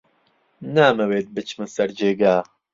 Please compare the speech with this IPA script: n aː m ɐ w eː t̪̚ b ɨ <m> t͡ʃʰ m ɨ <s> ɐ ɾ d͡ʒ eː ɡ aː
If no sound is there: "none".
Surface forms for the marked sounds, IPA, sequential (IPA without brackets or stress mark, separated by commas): none, s